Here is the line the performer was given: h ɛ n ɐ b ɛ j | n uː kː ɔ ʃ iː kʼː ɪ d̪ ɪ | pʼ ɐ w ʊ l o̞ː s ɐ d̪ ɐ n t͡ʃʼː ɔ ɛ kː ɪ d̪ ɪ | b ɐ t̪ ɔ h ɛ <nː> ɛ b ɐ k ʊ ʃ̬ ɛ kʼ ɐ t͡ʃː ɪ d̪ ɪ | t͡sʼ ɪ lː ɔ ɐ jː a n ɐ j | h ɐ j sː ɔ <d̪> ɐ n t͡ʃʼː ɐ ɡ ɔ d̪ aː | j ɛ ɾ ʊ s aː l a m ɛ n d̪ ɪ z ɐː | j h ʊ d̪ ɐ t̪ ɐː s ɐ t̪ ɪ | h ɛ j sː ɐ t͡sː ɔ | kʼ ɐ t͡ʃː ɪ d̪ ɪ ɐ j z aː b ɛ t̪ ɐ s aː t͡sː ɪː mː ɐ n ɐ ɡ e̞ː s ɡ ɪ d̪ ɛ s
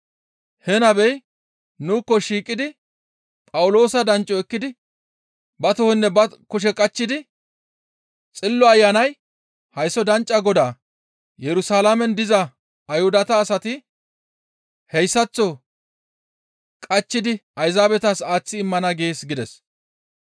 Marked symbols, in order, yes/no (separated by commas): yes, yes